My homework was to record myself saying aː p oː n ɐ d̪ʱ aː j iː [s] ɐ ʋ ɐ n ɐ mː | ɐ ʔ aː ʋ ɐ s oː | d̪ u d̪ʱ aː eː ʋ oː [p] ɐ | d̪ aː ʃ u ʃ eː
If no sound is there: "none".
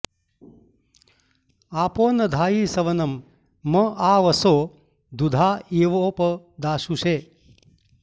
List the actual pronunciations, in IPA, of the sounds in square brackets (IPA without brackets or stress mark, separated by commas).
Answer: s, p